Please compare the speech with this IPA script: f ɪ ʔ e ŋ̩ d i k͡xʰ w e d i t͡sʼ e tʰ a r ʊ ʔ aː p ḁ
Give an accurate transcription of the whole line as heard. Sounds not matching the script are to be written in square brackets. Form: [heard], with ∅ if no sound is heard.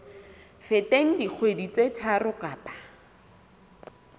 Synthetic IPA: f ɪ [t] e ŋ̩ d i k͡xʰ w e d i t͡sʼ e tʰ a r ʊ [k] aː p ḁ